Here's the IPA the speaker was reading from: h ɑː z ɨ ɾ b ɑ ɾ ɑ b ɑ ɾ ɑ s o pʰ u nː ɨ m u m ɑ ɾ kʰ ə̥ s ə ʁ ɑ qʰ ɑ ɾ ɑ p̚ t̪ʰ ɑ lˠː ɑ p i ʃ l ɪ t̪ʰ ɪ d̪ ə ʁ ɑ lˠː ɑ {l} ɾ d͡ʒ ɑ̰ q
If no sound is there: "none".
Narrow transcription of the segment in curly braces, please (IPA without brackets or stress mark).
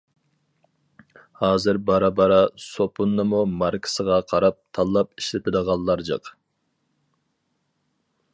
none